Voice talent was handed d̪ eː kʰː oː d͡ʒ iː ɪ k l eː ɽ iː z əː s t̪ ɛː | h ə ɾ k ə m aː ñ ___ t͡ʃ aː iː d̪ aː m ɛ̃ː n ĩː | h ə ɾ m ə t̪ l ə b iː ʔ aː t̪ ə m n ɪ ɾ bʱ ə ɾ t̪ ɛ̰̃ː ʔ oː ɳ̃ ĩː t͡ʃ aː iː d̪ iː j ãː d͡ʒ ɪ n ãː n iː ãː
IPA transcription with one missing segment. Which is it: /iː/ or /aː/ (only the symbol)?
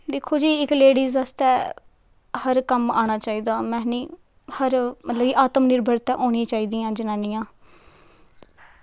aː